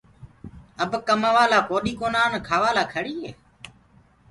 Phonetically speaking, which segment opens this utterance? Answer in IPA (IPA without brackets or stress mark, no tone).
ə